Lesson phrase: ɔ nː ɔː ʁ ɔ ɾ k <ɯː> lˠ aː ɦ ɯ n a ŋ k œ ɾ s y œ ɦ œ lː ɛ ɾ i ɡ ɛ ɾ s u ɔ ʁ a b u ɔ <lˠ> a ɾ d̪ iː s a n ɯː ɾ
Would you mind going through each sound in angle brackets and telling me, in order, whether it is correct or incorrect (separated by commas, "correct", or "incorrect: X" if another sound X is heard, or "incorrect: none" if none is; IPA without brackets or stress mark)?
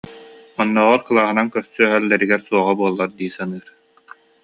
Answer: incorrect: ɯ, incorrect: lˠː